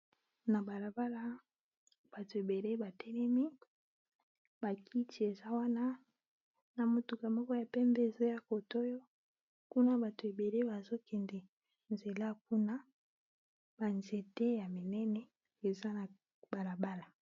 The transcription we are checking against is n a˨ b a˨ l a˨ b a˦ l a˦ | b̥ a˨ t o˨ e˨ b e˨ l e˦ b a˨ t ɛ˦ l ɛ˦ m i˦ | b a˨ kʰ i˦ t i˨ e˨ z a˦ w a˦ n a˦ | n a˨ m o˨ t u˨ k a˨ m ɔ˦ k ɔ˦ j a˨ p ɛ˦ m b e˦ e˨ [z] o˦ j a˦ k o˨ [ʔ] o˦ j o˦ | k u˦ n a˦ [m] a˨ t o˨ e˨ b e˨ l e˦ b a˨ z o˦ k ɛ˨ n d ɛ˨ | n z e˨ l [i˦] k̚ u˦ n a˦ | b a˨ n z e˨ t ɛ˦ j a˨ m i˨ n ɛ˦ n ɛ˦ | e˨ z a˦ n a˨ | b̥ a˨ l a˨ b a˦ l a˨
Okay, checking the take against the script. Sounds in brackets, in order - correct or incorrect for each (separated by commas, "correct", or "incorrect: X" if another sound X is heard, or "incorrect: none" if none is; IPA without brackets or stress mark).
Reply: correct, incorrect: t, incorrect: b, incorrect: a˦